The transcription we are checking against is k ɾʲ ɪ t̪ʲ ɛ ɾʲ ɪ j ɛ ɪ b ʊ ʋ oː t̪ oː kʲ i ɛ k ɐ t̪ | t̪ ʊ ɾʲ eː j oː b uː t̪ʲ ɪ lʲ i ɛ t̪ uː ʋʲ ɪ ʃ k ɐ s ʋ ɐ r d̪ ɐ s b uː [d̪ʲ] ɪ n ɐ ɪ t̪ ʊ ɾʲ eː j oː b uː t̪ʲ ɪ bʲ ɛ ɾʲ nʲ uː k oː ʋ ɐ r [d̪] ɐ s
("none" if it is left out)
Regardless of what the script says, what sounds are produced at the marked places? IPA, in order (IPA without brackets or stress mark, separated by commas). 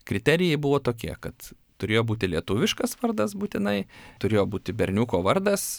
t̪ʲ, d̪